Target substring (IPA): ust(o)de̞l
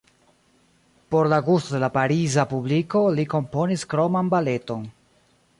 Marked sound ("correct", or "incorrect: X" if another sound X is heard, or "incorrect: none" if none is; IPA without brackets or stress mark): correct